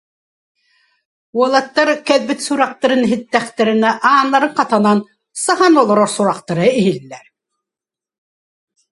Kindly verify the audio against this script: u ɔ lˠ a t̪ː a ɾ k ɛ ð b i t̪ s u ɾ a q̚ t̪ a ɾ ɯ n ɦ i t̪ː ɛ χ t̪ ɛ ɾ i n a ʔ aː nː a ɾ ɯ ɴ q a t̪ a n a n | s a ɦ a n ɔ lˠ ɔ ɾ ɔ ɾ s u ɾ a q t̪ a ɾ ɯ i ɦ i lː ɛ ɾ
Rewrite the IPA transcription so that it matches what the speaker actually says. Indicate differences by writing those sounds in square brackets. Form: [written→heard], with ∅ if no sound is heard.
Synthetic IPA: u ɔ lˠ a t̪ː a ɾ k ɛ ð b i t̪ s u ɾ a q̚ t̪ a ɾ ɯ n ɦ i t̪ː ɛ χ t̪ ɛ ɾ i n [a→ɛ] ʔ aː nː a ɾ ɯ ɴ q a t̪ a n a n | s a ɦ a n ɔ lˠ ɔ ɾ ɔ ɾ s u ɾ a q t̪ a ɾ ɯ i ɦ i lː ɛ ɾ